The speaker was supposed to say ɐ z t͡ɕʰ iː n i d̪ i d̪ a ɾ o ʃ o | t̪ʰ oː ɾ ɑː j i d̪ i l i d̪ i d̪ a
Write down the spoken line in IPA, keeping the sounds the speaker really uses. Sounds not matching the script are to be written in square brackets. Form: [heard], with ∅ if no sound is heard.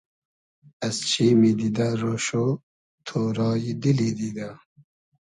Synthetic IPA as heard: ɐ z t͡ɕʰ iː [m] i d̪ i d̪ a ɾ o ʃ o | t̪ʰ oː ɾ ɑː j i d̪ i l i d̪ i d̪ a